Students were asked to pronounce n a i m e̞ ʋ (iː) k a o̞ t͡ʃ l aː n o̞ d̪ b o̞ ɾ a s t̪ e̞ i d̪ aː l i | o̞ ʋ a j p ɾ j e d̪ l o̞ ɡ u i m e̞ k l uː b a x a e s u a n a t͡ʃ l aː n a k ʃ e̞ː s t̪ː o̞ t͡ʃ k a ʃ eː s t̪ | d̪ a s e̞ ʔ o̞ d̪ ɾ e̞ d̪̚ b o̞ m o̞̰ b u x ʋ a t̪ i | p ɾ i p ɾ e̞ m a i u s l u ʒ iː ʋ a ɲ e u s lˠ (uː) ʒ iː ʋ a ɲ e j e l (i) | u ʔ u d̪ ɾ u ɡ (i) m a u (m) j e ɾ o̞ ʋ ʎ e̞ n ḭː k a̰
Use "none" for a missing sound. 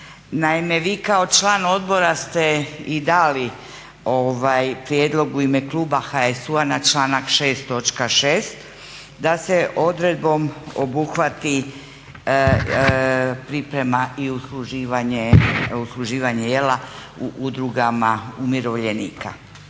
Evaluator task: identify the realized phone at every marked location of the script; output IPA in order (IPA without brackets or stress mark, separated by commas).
iː, u, a, a, m